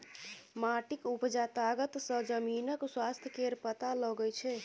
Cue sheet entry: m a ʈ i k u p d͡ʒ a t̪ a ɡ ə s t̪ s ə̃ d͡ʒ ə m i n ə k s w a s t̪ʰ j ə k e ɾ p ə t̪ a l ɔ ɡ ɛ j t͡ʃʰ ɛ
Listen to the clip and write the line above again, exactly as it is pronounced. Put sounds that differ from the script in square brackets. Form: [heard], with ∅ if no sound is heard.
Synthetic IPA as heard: m a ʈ i k u p d͡ʒ a t̪ a ɡ ə [∅] t̪ s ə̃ d͡ʒ ə m i n ə k s w a s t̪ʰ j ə k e ɾ p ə t̪ a l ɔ ɡ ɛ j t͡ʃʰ ɛ